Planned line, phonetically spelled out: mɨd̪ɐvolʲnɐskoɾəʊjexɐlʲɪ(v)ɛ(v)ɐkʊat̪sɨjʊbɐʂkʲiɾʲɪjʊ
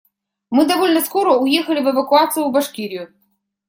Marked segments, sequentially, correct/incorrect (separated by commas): correct, correct